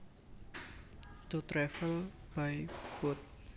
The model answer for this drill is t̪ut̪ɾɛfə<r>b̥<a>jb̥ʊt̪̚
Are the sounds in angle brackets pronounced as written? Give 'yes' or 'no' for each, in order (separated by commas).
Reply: no, yes